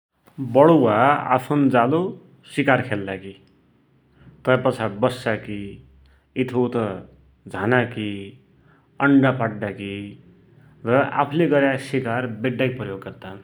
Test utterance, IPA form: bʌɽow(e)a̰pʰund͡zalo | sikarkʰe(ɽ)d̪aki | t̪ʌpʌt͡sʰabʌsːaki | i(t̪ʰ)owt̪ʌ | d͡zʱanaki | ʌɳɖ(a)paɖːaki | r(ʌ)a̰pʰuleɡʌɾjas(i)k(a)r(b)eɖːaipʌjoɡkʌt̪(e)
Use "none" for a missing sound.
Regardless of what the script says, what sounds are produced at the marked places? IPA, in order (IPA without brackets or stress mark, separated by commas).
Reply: a, l, t̪ʰ, a, ʌ, i, a, b, a